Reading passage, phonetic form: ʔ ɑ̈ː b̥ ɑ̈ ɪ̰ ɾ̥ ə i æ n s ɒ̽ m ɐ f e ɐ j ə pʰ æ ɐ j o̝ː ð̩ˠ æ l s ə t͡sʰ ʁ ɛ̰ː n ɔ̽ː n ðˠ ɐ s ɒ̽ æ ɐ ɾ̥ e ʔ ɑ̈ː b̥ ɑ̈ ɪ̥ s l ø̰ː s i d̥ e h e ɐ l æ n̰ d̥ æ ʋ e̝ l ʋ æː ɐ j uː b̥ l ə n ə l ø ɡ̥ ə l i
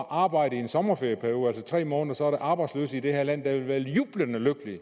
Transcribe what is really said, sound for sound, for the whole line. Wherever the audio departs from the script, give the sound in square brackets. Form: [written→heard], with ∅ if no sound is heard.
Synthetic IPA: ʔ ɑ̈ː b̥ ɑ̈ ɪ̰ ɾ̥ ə i [æ→e] n s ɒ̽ m ɐ f e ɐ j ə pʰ æ ɐ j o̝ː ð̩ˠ æ l s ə t͡sʰ ʁ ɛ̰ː [n→m] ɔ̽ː n ðˠ ɐ s ɒ̽ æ ɐ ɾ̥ e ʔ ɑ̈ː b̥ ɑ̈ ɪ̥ s l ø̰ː s i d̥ e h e ɐ l æ n̰ d̥ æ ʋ e̝ l ʋ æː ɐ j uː b̥ l ə n ə l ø ɡ̥ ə l i